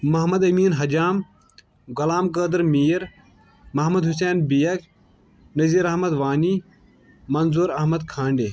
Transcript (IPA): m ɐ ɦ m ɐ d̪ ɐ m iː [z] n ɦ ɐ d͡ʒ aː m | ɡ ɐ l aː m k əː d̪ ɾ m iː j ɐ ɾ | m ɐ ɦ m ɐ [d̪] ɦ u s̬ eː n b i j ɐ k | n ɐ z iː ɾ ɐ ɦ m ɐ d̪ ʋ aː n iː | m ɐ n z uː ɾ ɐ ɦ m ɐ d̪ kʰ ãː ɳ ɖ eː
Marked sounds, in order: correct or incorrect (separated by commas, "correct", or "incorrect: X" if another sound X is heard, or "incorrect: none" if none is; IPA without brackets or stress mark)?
incorrect: none, correct